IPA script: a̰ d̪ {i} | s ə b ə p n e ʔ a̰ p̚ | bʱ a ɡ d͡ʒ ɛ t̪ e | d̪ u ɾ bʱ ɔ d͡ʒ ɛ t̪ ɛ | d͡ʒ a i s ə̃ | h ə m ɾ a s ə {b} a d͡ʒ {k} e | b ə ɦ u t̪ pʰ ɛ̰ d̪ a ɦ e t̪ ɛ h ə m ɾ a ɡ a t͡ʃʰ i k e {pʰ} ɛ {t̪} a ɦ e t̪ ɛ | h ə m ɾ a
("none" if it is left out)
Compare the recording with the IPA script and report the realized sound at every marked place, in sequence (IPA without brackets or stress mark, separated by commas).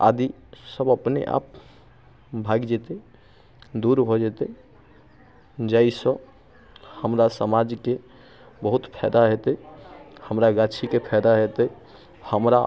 i, m, k, pʰ, d̪